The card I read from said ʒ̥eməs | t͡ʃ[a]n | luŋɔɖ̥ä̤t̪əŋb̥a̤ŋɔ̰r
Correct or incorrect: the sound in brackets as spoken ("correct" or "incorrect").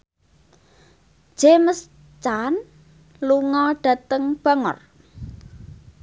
correct